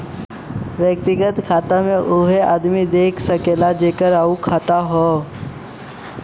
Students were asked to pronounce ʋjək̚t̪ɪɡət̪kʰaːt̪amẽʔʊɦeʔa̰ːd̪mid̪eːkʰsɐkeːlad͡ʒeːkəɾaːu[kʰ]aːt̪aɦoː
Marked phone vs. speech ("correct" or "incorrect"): correct